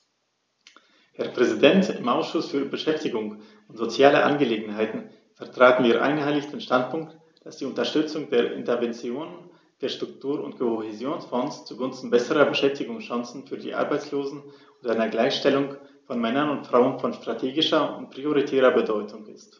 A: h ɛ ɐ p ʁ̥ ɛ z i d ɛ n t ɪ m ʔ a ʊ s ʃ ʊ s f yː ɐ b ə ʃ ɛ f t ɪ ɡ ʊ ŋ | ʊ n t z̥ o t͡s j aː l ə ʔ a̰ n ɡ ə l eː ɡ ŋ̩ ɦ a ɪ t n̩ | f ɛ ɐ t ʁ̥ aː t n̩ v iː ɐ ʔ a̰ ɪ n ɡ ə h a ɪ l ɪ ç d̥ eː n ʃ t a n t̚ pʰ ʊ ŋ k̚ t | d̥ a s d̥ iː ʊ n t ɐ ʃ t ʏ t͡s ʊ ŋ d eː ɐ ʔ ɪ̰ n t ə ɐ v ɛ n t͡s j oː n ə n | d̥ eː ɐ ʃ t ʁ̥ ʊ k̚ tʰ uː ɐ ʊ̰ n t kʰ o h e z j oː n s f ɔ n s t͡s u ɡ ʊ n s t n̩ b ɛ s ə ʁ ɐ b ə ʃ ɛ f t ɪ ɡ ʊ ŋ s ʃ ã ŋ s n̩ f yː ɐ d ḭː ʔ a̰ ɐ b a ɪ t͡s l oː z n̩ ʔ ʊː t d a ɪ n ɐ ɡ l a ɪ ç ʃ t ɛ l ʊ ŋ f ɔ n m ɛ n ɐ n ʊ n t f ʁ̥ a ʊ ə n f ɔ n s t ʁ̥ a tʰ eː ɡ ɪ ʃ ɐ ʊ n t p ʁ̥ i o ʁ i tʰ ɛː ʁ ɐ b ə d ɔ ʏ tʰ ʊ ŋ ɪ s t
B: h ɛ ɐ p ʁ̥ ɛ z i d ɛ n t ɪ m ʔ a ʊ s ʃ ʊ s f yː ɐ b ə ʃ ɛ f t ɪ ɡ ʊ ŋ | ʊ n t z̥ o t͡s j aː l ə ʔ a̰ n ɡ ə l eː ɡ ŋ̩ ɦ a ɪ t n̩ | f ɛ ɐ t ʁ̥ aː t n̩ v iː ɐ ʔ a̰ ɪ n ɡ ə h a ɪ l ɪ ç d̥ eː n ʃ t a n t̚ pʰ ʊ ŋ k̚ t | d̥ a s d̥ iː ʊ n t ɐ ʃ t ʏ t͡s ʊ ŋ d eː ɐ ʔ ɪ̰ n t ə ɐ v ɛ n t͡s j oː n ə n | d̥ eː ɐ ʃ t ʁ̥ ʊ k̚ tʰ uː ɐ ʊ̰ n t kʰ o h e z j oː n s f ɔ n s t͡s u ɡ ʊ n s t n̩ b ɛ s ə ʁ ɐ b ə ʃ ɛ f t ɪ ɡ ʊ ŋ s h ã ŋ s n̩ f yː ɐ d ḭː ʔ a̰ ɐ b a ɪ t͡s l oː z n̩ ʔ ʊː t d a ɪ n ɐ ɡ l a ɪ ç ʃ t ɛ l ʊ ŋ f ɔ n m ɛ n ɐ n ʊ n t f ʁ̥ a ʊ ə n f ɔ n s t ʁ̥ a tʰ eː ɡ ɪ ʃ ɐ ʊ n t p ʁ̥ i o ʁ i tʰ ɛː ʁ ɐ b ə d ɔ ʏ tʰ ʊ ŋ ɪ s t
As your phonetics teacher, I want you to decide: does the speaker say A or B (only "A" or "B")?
A